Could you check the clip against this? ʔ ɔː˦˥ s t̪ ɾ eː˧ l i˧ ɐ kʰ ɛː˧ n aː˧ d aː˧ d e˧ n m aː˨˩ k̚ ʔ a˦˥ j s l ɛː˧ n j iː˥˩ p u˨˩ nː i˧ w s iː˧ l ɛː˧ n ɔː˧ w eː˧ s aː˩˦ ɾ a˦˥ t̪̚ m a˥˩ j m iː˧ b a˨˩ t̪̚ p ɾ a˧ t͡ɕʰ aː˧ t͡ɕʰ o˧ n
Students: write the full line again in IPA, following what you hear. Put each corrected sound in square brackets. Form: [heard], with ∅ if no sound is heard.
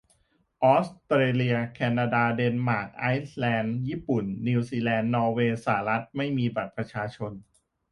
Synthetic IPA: ʔ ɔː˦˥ s t̪ ɾ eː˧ l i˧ ɐ kʰ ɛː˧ n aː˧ d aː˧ d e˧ n m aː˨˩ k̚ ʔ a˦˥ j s l ɛː˧ n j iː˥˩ p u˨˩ nː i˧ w s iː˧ l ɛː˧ [nː] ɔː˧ w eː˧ s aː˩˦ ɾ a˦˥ t̪̚ m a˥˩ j m iː˧ b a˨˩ t̪̚ p ɾ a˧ t͡ɕʰ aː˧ t͡ɕʰ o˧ n